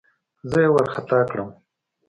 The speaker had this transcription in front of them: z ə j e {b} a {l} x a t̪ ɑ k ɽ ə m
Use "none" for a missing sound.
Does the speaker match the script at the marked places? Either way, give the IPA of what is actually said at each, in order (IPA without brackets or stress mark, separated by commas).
w, ɾ